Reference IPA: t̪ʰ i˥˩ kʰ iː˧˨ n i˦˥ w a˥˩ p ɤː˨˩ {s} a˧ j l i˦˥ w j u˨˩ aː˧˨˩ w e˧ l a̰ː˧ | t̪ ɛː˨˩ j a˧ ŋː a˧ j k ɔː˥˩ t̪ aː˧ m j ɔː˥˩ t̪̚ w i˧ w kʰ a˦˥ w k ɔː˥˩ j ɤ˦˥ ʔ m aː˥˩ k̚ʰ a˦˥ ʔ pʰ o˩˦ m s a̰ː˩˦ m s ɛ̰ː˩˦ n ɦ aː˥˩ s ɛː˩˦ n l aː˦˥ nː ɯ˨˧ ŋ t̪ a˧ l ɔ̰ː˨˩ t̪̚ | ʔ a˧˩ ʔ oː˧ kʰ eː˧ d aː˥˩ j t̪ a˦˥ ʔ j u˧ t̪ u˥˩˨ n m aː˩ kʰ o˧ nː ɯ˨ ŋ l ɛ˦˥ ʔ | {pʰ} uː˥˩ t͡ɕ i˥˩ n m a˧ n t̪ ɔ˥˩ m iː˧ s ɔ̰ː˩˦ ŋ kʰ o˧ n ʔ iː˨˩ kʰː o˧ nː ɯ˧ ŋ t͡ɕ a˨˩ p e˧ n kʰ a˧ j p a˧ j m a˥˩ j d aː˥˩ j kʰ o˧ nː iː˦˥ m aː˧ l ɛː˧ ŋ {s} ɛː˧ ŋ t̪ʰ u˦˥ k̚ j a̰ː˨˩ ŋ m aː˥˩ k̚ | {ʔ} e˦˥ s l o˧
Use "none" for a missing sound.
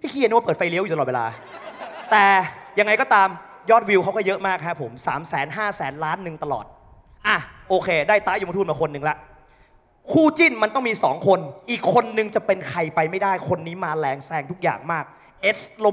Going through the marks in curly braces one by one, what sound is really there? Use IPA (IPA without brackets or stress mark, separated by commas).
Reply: f, kʰ, s, ʔ